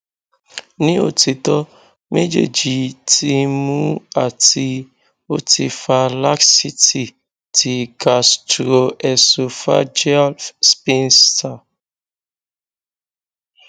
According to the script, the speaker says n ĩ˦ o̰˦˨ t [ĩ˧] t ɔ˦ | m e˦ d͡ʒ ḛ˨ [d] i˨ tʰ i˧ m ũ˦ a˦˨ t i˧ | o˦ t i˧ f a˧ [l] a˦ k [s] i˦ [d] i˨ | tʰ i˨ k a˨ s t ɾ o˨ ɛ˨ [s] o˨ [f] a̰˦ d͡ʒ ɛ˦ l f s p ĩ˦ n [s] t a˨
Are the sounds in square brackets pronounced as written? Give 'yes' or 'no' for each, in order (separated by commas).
no, no, yes, yes, no, yes, yes, yes